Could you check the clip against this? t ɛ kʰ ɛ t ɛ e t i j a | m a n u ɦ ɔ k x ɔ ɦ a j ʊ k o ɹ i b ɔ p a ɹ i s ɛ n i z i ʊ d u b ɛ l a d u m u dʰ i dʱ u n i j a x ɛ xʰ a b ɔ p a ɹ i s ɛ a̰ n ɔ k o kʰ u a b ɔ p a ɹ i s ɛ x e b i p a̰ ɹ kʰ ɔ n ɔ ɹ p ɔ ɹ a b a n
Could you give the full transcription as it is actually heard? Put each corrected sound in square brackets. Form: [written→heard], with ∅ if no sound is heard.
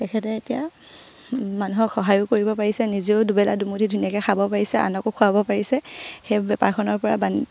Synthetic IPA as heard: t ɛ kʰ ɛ t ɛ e t i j a | m a n u ɦ ɔ k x ɔ ɦ a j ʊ k o ɹ i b ɔ p a ɹ i s ɛ n i z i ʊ d u b ɛ l a d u m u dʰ i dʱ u n i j a [x→k] ɛ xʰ a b ɔ p a ɹ i s ɛ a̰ n ɔ k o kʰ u a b ɔ p a ɹ i s ɛ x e b [i→ɛ] p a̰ ɹ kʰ ɔ n ɔ ɹ p ɔ ɹ a b a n